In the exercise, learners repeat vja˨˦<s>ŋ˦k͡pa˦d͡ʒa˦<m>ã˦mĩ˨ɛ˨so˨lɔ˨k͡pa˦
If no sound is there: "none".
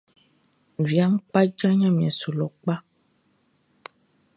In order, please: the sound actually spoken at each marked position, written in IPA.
none, ɲ

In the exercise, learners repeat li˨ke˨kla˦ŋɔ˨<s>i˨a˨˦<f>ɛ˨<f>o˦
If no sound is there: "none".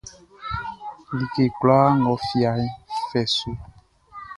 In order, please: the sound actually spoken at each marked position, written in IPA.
f, f, s

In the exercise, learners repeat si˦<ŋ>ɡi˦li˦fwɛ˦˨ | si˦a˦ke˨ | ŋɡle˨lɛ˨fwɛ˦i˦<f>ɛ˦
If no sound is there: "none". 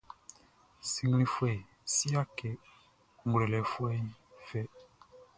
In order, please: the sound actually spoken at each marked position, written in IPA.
ŋ, f

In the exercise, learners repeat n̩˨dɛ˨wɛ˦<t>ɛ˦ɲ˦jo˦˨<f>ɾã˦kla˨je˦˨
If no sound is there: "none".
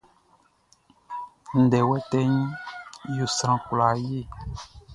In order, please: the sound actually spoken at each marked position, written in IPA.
t, s

